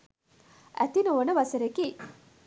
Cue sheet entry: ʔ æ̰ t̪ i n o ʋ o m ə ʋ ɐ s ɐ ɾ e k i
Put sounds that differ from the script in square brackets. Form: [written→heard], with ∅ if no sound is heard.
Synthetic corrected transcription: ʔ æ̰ t̪ i n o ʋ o [m→n] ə ʋ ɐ s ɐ ɾ e k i